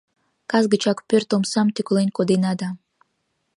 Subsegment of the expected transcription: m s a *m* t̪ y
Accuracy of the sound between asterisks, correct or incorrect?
correct